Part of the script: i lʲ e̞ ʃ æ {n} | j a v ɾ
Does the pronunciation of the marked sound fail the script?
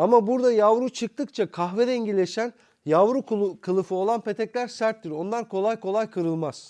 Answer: no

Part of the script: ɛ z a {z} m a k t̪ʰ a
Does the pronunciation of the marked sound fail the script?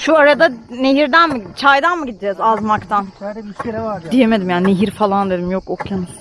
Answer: no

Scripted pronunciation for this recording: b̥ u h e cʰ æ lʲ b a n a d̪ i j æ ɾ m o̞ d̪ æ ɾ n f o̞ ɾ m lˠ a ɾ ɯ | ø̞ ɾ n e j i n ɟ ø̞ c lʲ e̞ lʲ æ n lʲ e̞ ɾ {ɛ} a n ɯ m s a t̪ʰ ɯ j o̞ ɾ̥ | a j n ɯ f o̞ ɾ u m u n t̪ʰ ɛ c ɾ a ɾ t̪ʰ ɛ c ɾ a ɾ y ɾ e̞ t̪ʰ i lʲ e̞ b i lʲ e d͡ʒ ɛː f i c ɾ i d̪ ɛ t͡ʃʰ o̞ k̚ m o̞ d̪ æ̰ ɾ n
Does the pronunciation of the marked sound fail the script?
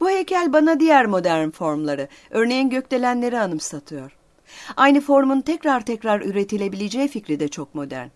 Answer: yes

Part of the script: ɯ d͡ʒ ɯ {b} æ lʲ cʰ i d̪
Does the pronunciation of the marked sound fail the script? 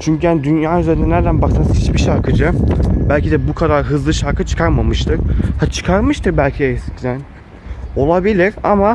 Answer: no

